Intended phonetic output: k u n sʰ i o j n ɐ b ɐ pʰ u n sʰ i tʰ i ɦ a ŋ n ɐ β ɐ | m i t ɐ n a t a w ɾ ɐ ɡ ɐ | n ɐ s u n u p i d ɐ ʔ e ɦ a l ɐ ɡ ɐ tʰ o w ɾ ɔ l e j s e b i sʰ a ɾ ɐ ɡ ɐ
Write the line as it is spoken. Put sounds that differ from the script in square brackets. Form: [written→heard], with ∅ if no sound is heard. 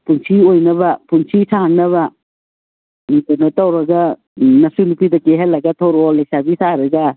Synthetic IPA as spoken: [k→p] u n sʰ i o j n ɐ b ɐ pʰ u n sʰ i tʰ [i→a] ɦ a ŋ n ɐ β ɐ | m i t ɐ n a t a w ɾ ɐ ɡ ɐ | n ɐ s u n u p i d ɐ [ʔ→k] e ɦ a l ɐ ɡ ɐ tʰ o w ɾ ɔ l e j s [e→a] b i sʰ a ɾ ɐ ɡ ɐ